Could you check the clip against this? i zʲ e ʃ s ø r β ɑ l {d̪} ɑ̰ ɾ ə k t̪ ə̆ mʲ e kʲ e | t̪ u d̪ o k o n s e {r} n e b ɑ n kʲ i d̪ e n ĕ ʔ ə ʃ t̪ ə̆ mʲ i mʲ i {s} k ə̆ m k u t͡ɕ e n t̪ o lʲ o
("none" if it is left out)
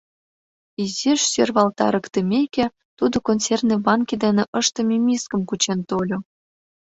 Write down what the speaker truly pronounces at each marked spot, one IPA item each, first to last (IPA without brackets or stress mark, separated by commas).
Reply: t̪, r, s